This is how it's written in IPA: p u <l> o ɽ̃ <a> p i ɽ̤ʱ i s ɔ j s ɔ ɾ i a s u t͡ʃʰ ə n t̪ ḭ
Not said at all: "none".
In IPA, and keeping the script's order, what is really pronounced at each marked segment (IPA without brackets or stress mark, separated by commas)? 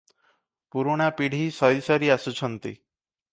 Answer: ɾ, a